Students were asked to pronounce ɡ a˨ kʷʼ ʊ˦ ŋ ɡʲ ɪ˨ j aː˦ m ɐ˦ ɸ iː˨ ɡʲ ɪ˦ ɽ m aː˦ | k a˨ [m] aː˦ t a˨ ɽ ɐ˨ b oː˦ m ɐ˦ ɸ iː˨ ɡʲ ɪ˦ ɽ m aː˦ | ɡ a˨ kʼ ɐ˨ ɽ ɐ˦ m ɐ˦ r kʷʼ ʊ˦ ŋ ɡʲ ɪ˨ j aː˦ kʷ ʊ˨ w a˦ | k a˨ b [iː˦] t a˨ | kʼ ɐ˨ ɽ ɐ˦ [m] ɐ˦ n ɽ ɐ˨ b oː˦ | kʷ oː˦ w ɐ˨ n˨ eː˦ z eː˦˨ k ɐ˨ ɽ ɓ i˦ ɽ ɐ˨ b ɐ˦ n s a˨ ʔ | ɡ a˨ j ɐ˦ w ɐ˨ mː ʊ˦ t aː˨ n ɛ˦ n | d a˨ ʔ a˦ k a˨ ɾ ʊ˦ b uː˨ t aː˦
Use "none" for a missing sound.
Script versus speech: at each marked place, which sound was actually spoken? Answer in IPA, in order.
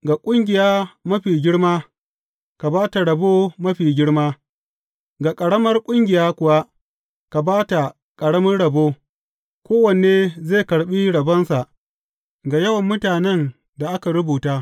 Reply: b, aː˦, m

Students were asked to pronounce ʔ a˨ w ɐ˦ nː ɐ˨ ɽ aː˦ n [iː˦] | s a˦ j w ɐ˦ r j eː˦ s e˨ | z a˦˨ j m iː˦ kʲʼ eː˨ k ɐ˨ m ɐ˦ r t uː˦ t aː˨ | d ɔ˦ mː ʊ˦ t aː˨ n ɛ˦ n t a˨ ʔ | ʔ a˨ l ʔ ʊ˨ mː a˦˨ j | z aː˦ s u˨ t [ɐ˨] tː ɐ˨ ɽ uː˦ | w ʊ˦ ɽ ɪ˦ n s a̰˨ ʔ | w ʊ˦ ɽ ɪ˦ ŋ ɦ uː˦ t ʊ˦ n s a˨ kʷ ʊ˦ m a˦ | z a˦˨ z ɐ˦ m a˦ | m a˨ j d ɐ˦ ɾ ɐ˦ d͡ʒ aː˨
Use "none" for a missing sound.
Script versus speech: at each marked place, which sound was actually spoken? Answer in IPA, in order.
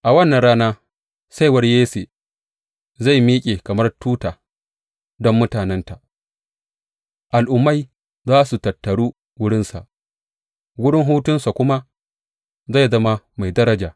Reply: aː˦, ɐ˨

